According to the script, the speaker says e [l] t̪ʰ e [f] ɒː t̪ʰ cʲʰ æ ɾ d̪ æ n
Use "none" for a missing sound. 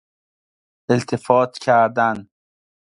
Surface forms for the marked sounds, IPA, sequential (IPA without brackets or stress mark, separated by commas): l, f